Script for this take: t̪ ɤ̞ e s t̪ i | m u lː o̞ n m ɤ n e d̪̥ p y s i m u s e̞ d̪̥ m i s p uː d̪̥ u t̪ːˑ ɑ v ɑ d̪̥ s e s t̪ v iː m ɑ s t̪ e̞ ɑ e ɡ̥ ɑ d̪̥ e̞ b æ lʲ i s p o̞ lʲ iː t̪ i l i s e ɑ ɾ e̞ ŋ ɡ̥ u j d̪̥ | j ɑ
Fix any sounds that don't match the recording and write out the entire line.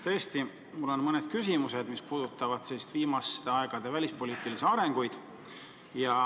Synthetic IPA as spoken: t̪ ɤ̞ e s t̪ i | m u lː o̞ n m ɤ n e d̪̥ k y s i m u s e̞ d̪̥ m i s p uː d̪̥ u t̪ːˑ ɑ v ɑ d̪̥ s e s t̪ v iː m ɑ s t̪ e̞ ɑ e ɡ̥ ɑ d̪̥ e̞ v æ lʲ i s p o̞ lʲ iː t̪ i l i s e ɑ ɾ e̞ ŋ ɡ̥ u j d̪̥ | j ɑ